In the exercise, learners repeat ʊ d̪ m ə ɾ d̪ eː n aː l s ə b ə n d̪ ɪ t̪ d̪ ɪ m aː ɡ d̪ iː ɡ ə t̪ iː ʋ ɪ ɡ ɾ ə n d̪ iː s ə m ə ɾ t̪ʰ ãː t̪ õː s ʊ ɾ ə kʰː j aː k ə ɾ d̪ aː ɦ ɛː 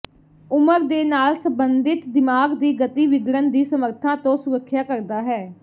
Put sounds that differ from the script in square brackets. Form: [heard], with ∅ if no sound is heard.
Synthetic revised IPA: ʊ [∅] m ə ɾ d̪ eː n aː l s ə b ə n d̪ ɪ t̪ d̪ ɪ m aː ɡ d̪ iː ɡ ə t̪ iː ʋ ɪ ɡ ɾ ə n d̪ iː s ə m ə ɾ t̪ʰ ãː t̪ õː s ʊ ɾ ə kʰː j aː k ə ɾ d̪ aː ɦ ɛː